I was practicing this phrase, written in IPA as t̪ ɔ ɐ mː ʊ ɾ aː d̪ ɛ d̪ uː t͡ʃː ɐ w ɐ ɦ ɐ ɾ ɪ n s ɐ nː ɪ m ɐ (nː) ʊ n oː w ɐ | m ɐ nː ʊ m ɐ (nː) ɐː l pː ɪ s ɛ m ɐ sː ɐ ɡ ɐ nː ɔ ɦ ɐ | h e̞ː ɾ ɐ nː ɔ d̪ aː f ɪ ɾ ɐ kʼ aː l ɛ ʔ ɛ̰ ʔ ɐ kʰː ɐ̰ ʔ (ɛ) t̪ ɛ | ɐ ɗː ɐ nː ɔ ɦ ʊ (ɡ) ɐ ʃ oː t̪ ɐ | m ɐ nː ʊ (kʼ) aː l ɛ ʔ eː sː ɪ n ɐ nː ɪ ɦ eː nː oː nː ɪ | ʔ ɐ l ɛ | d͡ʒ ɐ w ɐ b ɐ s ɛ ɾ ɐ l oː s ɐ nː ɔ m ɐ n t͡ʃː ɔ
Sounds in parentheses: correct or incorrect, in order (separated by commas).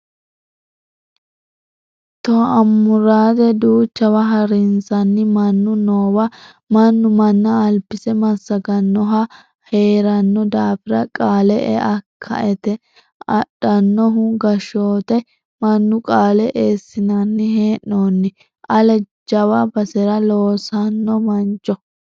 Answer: correct, correct, correct, correct, correct